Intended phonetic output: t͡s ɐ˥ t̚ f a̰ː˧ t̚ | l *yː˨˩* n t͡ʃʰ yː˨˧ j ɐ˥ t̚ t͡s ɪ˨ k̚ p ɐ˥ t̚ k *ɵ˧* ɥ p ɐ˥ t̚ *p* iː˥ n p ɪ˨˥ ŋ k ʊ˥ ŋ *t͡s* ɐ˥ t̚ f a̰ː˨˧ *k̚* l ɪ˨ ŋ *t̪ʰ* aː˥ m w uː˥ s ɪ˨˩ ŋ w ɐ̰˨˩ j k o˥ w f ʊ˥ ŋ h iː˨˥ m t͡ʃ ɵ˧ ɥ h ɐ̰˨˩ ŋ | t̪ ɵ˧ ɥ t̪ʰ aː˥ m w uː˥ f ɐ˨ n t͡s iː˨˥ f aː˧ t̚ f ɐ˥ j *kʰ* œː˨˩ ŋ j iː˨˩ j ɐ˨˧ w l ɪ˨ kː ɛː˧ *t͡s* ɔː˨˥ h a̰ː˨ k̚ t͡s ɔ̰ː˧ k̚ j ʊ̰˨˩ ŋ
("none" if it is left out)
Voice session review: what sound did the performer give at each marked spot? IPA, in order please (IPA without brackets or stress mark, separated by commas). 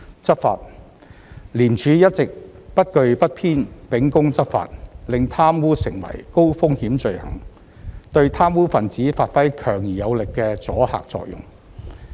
iː˨˩, ɵ˧, pʰ, t͡s, t̚, t̪ʰ, kʰ, t͡s